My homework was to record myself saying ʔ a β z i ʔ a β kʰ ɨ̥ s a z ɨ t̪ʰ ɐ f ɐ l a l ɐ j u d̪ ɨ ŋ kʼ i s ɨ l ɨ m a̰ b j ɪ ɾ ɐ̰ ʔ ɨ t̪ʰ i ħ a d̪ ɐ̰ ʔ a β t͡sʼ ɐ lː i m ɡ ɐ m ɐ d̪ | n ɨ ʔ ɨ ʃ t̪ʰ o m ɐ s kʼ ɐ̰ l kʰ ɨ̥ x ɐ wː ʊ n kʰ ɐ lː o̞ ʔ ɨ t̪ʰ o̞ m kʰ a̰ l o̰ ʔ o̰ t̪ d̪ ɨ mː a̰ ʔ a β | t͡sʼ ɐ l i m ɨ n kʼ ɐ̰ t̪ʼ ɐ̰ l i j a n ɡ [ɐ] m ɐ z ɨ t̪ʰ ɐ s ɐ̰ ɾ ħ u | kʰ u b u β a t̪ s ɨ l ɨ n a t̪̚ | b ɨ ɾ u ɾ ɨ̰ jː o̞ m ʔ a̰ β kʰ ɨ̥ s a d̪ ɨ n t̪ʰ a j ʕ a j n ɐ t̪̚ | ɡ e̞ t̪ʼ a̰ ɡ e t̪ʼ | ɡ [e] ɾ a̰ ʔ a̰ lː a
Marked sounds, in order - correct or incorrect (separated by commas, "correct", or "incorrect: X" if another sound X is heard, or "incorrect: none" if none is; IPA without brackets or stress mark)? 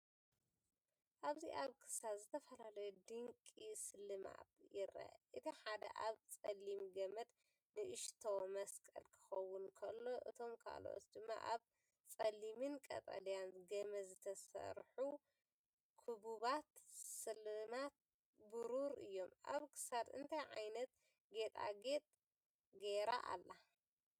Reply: correct, correct